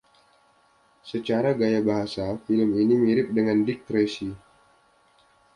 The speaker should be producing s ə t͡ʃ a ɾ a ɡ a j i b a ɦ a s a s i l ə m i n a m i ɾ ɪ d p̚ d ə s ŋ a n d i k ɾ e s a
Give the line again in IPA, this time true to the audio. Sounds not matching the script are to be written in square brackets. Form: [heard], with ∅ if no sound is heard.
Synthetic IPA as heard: s ə t͡ʃ a ɾ a ɡ a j [a] b a ɦ a s a [f] i l ə m i n [i] m i ɾ ɪ [∅] p̚ d ə [∅] ŋ a n d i k ɾ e s [i]